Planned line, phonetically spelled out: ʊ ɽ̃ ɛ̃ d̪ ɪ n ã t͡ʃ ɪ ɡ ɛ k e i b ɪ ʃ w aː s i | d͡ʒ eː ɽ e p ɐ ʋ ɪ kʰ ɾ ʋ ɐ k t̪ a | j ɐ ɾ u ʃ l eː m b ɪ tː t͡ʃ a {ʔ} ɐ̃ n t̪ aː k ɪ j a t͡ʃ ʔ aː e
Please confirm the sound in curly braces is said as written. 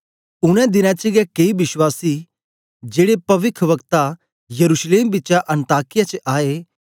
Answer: yes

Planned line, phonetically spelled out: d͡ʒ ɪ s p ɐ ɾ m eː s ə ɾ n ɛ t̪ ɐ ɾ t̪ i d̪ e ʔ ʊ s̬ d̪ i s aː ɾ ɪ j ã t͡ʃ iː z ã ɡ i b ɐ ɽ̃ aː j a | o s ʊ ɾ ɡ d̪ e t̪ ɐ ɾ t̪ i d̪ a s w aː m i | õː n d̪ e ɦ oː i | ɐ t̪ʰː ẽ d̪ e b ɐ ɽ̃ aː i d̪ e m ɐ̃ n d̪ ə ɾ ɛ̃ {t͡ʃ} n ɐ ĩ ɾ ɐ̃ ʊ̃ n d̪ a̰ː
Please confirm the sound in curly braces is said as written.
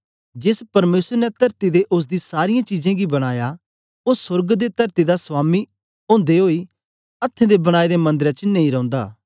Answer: yes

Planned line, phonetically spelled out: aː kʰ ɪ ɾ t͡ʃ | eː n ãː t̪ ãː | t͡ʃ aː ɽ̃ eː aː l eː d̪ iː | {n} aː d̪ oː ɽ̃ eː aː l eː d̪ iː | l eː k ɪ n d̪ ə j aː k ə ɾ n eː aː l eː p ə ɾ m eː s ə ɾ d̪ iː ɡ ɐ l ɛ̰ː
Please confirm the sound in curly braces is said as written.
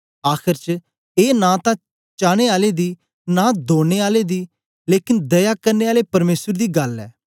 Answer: yes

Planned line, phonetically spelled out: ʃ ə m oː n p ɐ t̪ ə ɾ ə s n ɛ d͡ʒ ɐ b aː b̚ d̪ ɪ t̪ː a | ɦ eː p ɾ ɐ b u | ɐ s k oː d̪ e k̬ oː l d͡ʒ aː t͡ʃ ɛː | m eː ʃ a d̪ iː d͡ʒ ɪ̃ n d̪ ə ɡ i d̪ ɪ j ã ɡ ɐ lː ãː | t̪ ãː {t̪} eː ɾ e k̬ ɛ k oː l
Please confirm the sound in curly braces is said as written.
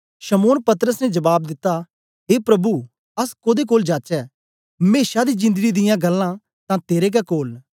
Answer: yes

